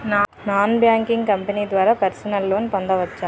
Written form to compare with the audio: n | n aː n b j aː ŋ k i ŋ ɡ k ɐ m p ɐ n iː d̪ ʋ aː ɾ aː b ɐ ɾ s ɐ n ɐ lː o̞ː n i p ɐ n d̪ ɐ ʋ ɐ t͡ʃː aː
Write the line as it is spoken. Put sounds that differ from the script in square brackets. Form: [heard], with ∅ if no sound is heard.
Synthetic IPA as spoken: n | n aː n b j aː ŋ k i ŋ ɡ k ɐ m p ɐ n iː d̪ ʋ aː ɾ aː [p] ɐ ɾ s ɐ n ɐ lː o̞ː n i p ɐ n d̪ ɐ ʋ ɐ t͡ʃː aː